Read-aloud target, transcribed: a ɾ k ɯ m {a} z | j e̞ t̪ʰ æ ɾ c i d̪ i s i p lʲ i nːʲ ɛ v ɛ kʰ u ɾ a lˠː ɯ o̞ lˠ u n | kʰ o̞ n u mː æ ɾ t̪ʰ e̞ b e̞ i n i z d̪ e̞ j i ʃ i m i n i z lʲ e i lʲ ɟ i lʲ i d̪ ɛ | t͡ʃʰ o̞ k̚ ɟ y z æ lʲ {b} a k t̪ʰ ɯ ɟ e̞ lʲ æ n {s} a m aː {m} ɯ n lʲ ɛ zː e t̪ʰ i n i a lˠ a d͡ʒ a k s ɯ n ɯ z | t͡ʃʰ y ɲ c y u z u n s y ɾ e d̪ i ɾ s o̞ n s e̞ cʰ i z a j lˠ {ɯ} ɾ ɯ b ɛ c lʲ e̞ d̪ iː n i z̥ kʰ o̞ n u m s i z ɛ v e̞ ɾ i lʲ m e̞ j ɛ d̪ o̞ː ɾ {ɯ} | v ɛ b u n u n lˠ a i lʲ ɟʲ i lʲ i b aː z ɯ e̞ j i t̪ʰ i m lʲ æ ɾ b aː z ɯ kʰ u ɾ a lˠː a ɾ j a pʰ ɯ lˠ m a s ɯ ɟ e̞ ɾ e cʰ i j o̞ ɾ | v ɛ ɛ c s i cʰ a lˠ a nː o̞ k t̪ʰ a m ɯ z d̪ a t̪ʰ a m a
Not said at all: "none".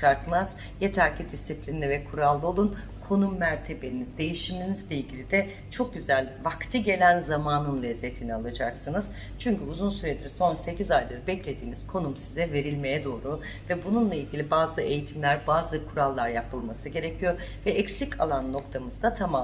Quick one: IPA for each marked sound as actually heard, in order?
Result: a, v, z, n, ɯ, u

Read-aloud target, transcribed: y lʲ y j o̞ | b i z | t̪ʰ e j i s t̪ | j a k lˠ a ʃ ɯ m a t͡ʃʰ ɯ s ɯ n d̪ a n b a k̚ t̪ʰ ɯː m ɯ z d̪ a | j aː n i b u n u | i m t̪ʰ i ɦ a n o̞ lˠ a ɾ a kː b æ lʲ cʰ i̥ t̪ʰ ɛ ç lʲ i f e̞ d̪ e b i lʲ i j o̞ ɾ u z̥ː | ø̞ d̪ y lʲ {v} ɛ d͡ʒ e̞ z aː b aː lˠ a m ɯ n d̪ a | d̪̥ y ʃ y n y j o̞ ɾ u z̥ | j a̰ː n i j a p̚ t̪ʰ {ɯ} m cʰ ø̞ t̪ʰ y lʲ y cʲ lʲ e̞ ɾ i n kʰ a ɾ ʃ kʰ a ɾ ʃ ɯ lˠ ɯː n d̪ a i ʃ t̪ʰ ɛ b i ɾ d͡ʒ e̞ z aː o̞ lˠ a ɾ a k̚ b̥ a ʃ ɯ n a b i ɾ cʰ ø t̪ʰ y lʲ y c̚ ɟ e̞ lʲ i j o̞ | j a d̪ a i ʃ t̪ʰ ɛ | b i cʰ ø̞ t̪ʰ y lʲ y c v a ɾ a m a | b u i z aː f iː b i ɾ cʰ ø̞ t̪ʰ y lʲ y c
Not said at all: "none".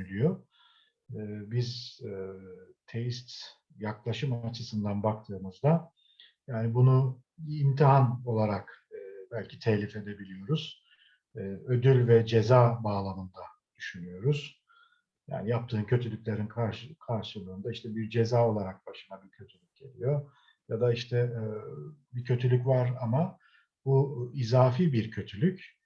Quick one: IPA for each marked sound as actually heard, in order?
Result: v, ɯː

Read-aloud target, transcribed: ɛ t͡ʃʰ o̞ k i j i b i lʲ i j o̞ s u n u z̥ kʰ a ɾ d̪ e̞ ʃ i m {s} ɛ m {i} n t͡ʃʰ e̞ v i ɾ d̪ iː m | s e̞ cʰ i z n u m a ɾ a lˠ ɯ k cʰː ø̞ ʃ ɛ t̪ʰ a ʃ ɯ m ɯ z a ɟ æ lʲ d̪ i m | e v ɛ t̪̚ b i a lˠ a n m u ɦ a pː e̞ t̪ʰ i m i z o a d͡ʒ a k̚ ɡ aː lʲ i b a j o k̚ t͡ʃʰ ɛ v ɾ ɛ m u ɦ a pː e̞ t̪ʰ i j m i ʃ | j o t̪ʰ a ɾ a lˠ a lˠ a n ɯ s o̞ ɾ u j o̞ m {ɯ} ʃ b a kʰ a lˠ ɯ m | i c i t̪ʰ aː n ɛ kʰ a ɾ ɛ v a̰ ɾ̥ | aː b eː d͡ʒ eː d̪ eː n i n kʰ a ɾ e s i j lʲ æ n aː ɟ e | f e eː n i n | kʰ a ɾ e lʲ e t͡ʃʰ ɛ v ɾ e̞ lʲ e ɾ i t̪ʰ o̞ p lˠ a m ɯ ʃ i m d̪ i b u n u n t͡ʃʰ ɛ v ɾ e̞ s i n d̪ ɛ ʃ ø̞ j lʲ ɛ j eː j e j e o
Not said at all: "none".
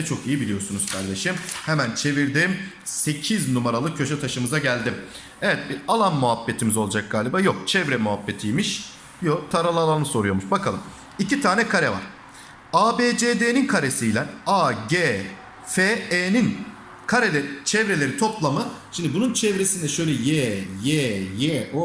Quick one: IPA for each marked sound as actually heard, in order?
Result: h, æ, u

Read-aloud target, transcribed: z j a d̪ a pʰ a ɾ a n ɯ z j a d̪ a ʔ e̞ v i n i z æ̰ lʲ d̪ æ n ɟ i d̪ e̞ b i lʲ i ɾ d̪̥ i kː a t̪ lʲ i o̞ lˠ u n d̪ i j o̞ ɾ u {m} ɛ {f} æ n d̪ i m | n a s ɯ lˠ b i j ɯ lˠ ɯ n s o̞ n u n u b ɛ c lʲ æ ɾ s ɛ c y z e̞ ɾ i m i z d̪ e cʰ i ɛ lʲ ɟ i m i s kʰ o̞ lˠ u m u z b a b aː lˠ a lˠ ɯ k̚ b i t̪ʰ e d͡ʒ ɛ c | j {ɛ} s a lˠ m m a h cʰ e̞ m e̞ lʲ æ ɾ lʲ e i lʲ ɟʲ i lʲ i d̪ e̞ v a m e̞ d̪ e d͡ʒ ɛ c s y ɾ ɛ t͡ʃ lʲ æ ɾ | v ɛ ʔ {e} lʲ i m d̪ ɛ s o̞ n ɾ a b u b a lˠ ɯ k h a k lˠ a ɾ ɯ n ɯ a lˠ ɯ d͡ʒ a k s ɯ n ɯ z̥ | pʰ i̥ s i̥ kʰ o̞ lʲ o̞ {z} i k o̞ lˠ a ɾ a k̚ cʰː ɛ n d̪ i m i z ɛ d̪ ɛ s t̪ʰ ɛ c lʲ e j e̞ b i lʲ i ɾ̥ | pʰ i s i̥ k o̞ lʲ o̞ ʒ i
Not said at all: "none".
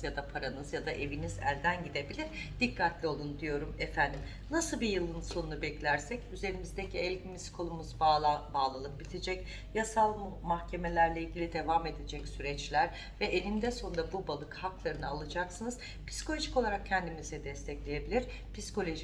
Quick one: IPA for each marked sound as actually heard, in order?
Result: m, f, a, e, ʒ

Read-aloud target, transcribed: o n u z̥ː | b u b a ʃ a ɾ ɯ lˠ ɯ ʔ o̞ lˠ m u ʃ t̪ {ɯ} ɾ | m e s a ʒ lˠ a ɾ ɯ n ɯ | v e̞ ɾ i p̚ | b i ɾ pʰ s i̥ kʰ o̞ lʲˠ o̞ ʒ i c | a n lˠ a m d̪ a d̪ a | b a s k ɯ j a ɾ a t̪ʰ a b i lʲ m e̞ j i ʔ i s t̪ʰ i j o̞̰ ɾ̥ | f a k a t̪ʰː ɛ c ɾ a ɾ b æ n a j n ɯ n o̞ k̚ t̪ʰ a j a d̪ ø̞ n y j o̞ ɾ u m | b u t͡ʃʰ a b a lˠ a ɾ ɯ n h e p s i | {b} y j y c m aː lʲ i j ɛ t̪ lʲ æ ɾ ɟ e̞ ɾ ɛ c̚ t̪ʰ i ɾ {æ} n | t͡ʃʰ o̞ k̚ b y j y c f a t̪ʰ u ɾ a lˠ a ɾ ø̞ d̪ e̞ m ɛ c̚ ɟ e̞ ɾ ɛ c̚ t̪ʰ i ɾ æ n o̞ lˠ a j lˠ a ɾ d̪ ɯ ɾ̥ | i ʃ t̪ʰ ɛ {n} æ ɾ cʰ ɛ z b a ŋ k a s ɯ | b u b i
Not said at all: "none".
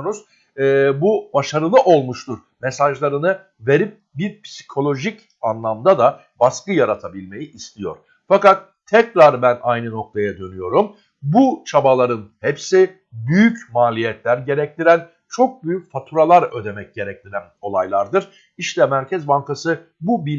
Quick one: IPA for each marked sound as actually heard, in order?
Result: u, b, æ, m

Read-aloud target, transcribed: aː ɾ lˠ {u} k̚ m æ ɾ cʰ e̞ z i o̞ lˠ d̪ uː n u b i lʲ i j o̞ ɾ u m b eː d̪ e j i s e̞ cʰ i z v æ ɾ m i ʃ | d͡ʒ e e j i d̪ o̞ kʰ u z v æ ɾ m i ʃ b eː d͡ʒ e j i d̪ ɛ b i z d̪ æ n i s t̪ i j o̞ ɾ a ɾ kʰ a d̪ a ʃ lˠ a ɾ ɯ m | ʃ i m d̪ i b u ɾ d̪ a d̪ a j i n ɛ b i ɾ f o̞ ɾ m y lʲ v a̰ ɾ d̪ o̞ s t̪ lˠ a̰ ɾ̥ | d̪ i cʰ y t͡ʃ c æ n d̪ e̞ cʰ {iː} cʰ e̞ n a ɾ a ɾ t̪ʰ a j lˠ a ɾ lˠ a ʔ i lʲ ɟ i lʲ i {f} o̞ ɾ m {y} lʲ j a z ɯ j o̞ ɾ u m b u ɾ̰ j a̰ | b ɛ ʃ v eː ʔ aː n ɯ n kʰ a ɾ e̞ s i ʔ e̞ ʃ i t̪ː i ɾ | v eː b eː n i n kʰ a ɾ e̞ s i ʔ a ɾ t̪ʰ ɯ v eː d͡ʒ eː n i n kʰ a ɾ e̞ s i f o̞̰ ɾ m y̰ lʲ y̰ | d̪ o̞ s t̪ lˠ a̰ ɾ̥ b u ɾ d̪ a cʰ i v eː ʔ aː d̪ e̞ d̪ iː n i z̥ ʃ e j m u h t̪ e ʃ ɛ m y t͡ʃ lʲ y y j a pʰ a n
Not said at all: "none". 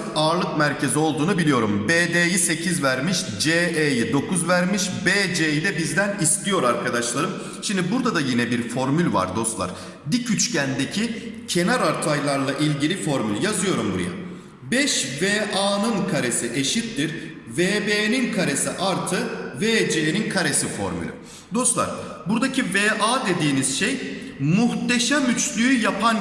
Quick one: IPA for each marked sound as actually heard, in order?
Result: ɯ, i, f, y

